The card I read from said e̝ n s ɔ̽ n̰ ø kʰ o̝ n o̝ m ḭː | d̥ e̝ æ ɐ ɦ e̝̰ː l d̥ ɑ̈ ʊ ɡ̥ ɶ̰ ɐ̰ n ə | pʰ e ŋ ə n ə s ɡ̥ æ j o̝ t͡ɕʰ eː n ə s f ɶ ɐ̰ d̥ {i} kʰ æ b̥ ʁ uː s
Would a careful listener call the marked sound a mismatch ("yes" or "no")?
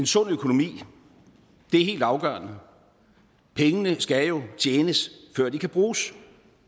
no